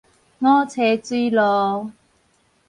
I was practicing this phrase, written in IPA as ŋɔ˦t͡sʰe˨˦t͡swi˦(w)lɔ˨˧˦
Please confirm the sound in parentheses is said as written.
no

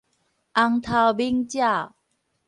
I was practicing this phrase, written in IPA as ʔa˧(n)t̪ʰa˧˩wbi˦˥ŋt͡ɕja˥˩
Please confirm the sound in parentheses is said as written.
no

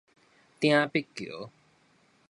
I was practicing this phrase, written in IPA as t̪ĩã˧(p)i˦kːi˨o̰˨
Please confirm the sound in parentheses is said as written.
yes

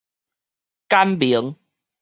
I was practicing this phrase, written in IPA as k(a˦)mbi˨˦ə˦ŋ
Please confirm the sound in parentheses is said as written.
yes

